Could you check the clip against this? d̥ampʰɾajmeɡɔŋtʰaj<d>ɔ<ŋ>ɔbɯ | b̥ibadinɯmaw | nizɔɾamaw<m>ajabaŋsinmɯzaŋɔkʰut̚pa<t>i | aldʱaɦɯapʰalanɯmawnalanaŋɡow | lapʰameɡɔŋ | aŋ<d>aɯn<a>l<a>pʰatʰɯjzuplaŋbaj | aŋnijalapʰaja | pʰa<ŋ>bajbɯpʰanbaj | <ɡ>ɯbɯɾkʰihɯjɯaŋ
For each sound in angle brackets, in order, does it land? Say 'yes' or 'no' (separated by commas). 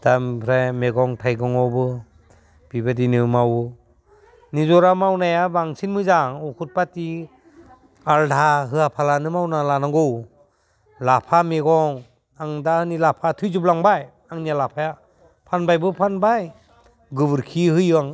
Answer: no, yes, no, yes, yes, no, yes, no, yes